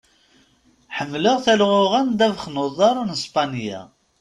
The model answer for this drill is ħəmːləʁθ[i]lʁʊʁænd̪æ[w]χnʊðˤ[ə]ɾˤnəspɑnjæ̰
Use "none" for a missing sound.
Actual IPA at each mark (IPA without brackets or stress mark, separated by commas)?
æ, v, ɑ